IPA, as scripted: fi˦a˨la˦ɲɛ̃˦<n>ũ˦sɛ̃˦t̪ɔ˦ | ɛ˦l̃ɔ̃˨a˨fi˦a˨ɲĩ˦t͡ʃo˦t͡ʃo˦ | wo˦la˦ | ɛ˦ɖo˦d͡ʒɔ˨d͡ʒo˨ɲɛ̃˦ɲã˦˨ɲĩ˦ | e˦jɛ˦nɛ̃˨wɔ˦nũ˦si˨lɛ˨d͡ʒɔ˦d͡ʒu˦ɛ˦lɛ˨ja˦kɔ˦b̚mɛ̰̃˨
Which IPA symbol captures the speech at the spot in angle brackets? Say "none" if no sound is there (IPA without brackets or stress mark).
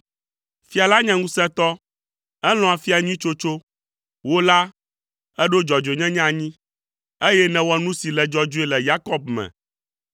ŋ